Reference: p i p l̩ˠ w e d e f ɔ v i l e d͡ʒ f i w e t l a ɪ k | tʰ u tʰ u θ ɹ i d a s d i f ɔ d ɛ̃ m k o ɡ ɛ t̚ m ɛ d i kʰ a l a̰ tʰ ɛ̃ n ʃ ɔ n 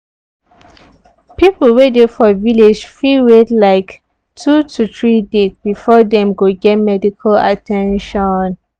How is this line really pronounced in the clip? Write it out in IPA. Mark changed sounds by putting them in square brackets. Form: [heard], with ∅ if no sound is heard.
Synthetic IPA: p i p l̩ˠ w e d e f ɔ v i l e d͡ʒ f i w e t l a ɪ k | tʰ u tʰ u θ ɹ i d [e] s [b] i f ɔ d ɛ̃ m [ɡ] o ɡ ɛ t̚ m ɛ d i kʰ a l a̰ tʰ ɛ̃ n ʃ ɔ n